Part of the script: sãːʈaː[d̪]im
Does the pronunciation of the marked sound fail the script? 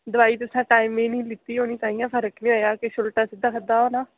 yes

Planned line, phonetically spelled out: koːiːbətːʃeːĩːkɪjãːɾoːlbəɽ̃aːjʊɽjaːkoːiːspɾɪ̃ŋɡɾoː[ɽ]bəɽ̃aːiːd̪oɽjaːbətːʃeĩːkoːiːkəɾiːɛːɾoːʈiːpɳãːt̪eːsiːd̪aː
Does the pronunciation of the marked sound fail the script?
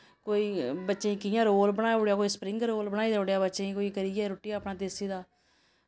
yes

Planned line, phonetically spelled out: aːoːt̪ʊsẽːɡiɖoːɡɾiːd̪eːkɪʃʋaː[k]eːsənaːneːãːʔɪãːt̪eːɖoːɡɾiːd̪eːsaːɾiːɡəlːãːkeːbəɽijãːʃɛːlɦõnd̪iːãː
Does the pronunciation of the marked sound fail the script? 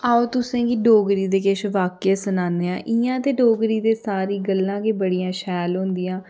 no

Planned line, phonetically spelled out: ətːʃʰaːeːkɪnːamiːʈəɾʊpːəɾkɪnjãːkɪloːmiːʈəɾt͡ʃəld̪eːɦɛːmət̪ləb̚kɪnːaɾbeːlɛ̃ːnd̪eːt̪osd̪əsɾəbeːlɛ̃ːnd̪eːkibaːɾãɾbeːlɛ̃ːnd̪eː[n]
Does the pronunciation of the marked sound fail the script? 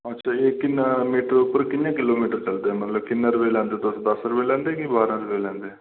yes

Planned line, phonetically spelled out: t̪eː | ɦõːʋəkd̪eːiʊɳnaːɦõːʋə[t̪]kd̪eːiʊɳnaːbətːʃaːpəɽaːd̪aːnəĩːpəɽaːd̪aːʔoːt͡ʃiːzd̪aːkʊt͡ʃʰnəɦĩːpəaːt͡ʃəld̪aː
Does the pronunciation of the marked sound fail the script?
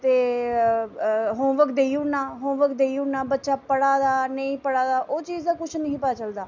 yes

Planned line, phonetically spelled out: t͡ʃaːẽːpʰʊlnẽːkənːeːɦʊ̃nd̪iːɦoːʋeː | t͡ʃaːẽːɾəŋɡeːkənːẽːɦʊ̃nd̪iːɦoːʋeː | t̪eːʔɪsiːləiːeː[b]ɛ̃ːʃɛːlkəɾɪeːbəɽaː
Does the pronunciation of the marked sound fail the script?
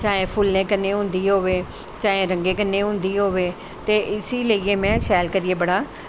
yes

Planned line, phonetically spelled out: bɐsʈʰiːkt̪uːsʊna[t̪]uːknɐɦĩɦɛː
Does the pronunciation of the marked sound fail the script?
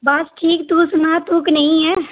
no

